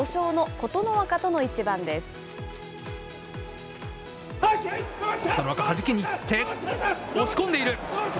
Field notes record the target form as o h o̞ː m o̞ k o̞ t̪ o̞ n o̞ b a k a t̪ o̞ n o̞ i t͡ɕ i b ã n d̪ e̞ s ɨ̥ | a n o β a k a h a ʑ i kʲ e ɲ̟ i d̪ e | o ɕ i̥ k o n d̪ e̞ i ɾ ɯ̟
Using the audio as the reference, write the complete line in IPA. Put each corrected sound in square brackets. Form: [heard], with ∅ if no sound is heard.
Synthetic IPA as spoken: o [ɕ] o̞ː [n] o̞ k o̞ t̪ o̞ n o̞ [β] a k a t̪ o̞ n o̞ i t͡ɕ i b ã n d̪ e̞ s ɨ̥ | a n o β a k a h a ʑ i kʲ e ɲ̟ i [t̪] e | o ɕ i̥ k o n d̪ e̞ i ɾ ɯ̟